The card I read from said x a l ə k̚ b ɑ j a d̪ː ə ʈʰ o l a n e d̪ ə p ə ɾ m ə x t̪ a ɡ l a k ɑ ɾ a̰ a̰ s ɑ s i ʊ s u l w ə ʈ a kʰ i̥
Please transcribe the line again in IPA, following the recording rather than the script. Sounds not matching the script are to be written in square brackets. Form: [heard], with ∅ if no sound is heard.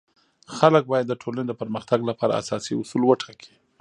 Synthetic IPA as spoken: x a l ə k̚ b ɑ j a d̪ː ə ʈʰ o l a n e d̪ ə p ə ɾ m ə x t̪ a ɡ l a [p] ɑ ɾ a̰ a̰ s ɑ s i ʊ s u l w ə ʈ a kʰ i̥